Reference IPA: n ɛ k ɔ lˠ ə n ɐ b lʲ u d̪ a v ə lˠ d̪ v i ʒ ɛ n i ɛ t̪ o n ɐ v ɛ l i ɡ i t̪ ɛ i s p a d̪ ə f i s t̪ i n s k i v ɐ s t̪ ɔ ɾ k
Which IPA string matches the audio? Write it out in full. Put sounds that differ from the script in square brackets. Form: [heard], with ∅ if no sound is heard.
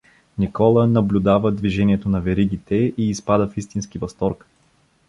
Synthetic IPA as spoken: n [i] k ɔ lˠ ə n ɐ b lʲ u d̪ a v ə [∅] d̪ v i ʒ ɛ n i ɛ t̪ o n ɐ v ɛ [ɾ] i ɡ i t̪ ɛ [iː] s p a d̪ ə f i s t̪ i n s k i v ɐ s t̪ ɔ ɾ k

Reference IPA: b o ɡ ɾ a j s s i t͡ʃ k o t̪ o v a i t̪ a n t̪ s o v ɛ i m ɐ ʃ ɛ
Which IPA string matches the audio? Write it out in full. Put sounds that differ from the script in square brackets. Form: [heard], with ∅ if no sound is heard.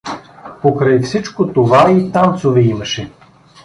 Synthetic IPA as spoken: [p] o [k] ɾ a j [f] s i t͡ʃ k o t̪ o v a i t̪ a n t̪ s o v ɛ i m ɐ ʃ ɛ

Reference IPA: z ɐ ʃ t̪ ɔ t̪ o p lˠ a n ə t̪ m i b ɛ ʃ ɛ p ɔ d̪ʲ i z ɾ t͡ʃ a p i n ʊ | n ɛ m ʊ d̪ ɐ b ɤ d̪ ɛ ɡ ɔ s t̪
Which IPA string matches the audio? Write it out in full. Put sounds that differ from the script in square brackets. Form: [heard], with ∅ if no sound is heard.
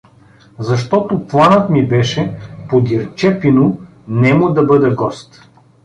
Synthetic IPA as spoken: z ɐ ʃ t̪ ɔ t̪ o p lˠ a n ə t̪ m i b ɛ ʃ ɛ p [o] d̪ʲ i [∅] ɾ t͡ʃ [ɛ] p i n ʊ | n ɛ m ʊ d̪ ɐ b ɤ d̪ ɛ ɡ ɔ s t̪

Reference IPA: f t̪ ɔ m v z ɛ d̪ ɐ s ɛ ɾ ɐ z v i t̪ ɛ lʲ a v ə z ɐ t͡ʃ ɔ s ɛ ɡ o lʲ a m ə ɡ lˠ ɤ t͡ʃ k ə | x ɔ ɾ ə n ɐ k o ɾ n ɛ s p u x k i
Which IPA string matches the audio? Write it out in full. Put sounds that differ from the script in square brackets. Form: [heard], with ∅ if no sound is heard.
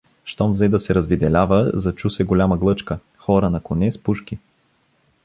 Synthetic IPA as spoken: [ʃ] t̪ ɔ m v z ɛ d̪ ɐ s ɛ ɾ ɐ z v i [d̪] ɛ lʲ a v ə z ɐ t͡ʃ [u] s ɛ ɡ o lʲ a m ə ɡ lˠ ɤ t͡ʃ k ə | x ɔ ɾ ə n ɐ k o [∅] n ɛ s p u [ʃ] k i

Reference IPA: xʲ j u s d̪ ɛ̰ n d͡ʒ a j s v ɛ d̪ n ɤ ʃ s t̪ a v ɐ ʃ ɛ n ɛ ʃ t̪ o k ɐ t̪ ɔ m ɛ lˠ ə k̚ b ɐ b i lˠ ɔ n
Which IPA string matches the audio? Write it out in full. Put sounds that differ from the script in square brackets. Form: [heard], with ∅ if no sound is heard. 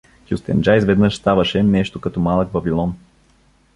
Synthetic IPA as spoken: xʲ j u s [t̪] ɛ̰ n d͡ʒ a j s v ɛ d̪ n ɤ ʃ s t̪ a v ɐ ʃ ɛ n ɛ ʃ t̪ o k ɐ t̪ ɔ m [a] lˠ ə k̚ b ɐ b i lˠ ɔ n

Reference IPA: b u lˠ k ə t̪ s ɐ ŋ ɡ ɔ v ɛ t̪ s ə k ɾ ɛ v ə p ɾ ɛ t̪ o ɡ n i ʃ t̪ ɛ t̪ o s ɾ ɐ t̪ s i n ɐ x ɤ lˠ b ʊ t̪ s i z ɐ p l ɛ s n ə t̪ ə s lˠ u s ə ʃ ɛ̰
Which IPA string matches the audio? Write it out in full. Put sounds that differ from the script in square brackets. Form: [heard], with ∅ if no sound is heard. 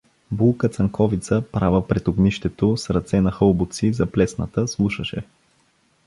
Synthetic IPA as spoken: b u lˠ k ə t̪ s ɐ ŋ [k] ɔ v [i] t̪ s ə [p] ɾ [a] v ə p ɾ ɛ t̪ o ɡ n i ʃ t̪ ɛ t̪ o s ɾ ɐ t̪ s [ɛ] n ɐ x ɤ lˠ b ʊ t̪ s i z ɐ p l ɛ s n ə t̪ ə s lˠ u [ʃ] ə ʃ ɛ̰

